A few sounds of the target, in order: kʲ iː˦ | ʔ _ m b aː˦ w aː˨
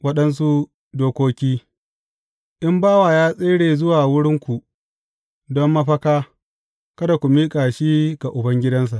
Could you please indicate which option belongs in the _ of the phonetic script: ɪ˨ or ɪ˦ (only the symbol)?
ɪ˦